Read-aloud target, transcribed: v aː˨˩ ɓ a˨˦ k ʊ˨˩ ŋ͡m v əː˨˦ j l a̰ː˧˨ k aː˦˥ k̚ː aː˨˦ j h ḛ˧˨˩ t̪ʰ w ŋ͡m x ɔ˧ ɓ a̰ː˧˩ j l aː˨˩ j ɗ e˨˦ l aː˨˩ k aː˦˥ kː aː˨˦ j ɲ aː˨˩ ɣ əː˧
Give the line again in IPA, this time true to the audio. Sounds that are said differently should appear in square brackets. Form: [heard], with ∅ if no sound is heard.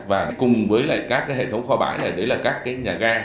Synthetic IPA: v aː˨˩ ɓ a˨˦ k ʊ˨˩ ŋ͡m v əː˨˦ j l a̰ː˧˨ k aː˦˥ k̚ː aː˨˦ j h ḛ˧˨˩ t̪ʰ w ŋ͡m x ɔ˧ ɓ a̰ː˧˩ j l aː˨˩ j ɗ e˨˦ l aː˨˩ k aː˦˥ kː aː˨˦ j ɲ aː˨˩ ɣ [aː˧]